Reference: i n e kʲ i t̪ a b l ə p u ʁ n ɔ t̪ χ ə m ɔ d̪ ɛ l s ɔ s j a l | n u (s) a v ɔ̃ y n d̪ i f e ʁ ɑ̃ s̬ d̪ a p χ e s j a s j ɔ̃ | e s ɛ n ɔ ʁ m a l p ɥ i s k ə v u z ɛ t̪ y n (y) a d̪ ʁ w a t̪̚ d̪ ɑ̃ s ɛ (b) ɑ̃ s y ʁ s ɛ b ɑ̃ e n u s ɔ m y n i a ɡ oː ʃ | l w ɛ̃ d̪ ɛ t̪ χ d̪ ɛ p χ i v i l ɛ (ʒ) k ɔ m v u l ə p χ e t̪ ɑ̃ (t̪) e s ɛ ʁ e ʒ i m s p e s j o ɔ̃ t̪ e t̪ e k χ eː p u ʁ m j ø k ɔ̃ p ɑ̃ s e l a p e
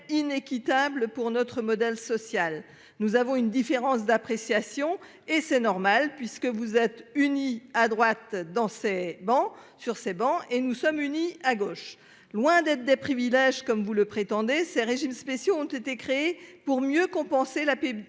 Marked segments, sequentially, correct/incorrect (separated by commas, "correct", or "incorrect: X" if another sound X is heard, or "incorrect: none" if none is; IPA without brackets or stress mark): incorrect: z, incorrect: i, correct, correct, incorrect: d̪